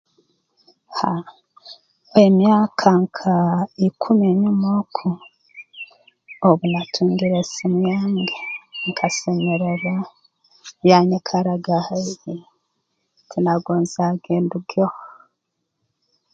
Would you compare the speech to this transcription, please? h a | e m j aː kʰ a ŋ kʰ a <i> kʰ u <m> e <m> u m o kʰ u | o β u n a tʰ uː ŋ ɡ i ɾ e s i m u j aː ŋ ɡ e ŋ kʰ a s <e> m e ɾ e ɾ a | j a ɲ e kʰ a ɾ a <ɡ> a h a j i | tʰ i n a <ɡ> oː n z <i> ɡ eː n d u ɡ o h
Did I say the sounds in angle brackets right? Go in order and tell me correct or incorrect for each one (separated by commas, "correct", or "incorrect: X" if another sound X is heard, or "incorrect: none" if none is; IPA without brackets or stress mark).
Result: correct, correct, incorrect: ɲ, correct, correct, correct, incorrect: a